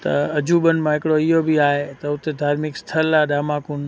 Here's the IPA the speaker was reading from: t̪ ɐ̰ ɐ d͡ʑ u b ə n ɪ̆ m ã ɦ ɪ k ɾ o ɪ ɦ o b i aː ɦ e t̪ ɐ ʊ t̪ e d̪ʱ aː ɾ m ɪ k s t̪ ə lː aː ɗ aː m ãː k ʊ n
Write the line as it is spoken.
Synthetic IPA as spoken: t̪ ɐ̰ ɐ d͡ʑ u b ə n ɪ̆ m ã ɦ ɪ k ɽ o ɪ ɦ o b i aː ɦ e t̪ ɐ ʊ t̪ e d̪ʱ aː ɾ m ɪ k s t̪ʰ ə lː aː ɗ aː m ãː k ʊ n